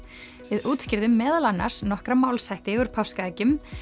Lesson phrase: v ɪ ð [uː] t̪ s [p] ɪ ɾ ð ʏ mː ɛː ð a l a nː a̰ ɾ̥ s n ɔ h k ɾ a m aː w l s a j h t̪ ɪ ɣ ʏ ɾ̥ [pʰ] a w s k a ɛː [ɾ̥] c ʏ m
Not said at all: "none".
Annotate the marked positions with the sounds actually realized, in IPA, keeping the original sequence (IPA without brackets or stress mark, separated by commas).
uː, c, pʰ, none